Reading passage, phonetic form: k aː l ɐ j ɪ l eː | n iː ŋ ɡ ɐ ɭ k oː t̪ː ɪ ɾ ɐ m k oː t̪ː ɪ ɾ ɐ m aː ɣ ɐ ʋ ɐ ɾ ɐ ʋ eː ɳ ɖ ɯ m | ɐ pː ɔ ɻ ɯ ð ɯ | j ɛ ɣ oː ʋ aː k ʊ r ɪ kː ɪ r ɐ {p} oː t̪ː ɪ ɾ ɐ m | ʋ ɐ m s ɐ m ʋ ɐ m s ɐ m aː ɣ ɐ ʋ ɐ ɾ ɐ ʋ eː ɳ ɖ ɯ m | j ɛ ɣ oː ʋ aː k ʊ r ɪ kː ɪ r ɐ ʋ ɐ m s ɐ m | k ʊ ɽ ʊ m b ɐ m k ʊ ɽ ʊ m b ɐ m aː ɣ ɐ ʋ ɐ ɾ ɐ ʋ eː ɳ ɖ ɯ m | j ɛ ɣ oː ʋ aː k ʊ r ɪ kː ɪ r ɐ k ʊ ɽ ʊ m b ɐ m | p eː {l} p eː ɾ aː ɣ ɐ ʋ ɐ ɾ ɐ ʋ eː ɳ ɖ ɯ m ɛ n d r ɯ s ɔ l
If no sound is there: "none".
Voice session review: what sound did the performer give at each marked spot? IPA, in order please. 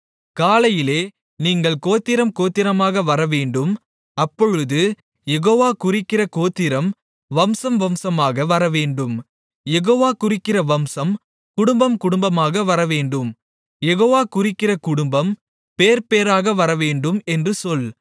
k, ɾ

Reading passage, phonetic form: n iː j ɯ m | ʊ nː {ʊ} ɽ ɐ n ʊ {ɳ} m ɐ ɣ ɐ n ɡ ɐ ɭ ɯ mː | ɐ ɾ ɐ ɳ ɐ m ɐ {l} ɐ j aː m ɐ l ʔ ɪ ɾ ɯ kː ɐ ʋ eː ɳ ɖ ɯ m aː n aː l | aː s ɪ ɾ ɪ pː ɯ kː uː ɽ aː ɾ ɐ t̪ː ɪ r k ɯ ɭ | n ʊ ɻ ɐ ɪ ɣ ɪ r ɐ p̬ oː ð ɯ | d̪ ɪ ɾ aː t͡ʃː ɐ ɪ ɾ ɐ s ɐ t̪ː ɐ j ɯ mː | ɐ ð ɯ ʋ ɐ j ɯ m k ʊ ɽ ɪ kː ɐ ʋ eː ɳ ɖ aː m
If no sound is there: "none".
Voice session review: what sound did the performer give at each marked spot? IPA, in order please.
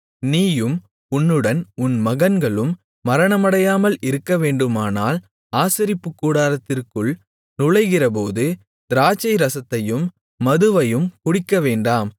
ɯ, n, ɽ

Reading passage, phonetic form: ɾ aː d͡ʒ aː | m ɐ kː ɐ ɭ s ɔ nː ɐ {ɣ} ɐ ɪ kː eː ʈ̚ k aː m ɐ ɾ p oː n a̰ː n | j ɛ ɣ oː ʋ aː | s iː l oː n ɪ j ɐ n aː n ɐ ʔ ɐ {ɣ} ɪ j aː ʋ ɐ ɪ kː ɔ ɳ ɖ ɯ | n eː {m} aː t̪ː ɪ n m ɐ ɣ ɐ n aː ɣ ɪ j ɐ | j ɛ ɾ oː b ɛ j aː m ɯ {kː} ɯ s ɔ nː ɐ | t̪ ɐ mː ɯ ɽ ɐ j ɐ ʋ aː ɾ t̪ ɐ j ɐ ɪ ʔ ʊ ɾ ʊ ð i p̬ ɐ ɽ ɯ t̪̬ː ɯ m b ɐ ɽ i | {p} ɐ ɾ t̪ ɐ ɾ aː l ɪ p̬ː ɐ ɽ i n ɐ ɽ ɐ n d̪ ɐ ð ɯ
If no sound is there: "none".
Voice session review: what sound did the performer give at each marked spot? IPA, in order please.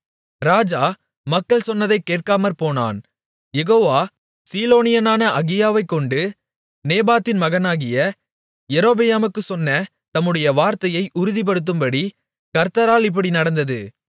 ð, ɣ, b, kː, k

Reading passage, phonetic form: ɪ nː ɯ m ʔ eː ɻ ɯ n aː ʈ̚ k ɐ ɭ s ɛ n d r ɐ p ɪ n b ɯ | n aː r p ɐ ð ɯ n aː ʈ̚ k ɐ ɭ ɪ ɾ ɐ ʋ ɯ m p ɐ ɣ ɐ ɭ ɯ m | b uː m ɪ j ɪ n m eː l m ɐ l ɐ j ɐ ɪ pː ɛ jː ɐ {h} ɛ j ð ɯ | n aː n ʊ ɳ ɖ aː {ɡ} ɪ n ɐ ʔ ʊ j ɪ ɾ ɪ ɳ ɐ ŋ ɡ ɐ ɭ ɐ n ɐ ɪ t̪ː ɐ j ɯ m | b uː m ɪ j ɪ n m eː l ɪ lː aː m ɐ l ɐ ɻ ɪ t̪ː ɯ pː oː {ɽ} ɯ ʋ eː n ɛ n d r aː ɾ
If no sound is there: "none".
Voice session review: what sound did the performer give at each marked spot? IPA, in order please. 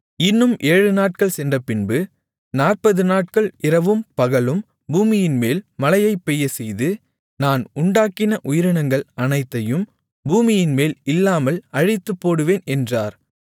s, k, ɽ

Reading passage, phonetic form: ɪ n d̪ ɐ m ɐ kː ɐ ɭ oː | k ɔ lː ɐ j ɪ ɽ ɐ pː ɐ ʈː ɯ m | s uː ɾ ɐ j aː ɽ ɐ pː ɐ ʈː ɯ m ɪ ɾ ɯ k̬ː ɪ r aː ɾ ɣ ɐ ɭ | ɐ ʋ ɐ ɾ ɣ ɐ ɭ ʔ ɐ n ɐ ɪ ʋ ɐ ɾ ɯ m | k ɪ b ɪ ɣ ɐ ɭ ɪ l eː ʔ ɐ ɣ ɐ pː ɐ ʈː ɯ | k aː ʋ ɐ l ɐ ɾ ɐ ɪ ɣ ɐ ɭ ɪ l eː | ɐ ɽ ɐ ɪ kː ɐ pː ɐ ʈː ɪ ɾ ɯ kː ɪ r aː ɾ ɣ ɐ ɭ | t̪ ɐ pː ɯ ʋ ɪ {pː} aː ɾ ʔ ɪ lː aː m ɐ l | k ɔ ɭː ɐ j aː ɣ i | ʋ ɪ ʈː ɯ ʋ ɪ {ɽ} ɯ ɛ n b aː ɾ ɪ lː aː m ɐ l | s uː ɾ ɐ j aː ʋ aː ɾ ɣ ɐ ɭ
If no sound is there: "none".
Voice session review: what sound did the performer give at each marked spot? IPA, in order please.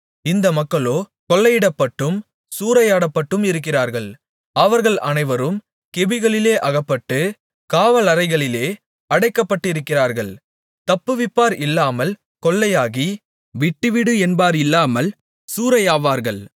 pː, ɽ

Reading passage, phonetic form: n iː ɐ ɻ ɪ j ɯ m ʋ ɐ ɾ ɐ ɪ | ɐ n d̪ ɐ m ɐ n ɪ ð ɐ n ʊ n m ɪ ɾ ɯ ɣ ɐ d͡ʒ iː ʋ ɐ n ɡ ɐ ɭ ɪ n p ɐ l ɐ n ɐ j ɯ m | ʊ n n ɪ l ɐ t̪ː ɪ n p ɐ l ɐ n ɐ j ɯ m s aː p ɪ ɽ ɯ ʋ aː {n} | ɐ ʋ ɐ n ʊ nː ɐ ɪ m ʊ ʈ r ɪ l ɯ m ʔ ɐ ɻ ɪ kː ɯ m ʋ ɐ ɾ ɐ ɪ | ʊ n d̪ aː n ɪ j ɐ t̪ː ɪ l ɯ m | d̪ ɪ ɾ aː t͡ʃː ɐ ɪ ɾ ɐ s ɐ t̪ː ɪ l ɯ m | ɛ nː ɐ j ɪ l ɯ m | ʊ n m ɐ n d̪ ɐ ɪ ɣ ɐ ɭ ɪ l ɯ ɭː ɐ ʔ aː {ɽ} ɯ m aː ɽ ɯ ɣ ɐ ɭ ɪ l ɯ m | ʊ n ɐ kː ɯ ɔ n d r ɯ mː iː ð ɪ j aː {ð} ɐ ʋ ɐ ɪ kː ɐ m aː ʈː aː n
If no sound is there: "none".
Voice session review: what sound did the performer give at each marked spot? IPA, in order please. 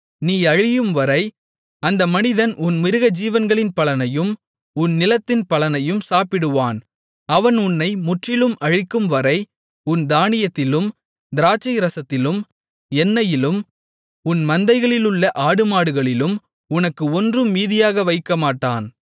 n, ɽ, ɣ

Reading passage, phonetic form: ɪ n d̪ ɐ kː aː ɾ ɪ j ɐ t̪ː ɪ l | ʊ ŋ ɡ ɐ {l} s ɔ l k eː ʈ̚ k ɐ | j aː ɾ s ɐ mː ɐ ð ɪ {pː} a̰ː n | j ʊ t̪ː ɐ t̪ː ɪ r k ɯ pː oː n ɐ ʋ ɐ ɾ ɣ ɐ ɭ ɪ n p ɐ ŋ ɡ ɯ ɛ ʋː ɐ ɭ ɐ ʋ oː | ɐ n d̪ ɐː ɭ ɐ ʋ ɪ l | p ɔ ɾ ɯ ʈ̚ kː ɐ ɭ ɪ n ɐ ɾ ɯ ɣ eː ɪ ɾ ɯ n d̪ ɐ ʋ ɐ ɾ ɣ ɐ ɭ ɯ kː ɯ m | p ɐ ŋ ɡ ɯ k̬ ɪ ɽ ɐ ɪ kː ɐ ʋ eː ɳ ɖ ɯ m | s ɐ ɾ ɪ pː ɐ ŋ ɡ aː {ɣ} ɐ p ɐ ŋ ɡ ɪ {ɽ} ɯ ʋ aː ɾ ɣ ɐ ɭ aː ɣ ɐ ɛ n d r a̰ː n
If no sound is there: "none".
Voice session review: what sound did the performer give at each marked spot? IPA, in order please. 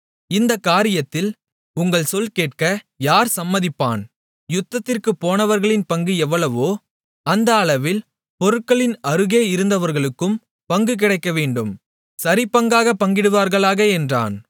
ɭ, pː, ɣ, ɽ

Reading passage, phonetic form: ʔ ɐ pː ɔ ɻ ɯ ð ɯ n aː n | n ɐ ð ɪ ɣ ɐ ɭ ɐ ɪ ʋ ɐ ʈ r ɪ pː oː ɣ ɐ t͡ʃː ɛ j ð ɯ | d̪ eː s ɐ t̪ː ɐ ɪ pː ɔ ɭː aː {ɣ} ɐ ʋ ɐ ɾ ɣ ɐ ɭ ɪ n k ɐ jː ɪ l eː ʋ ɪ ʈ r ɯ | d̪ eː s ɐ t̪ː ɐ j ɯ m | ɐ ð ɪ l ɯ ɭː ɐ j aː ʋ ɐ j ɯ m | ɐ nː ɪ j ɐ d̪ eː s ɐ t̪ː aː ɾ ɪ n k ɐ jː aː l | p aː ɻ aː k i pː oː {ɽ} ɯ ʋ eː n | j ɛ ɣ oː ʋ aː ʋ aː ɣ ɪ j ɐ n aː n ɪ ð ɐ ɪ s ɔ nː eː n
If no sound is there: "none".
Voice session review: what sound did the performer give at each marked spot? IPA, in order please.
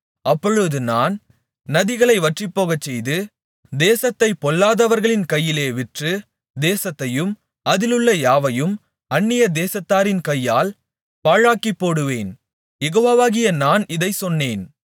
ð, ɽ

